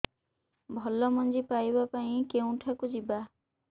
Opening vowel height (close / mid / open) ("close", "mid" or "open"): mid